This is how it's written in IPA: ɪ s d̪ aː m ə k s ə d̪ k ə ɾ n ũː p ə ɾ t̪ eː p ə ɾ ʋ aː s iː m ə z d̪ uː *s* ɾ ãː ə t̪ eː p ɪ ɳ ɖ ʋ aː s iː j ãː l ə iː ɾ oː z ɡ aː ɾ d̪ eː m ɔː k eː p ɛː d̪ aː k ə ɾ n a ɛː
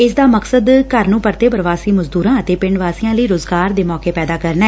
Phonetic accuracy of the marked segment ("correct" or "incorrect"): incorrect